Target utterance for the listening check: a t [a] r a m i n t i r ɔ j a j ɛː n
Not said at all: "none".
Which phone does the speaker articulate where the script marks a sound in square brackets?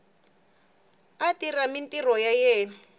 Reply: i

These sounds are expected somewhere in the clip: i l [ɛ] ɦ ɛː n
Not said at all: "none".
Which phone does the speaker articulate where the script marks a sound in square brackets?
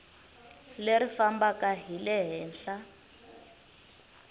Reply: ɛ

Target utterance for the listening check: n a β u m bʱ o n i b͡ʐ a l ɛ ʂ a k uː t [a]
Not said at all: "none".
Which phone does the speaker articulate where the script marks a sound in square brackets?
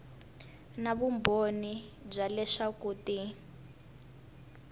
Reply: i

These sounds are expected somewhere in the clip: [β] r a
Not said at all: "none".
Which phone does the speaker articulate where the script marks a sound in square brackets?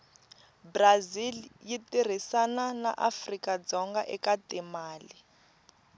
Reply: b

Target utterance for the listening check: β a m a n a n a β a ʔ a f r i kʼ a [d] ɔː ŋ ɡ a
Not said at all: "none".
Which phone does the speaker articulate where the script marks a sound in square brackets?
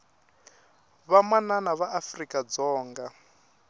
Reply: d͡z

